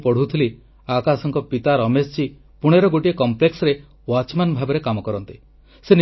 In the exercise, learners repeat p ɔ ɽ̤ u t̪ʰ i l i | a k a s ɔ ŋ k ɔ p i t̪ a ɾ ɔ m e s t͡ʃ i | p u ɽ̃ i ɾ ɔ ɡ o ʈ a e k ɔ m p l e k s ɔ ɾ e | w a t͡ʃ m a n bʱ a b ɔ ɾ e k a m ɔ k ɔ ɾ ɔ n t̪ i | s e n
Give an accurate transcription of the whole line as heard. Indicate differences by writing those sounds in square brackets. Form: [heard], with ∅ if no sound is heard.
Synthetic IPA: p ɔ ɽ̤ u t̪ʰ i l i | a k a s ɔ ŋ k ɔ p i t̪ a ɾ ɔ m e s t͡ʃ i | p u ɽ̃ [e] ɾ ɔ ɡ o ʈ [i] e k ɔ m p l e k s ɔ ɾ e | w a t͡ʃ m a n bʱ a b ɔ ɾ e k a m ɔ k ɔ ɾ ɔ n t̪ i | s e n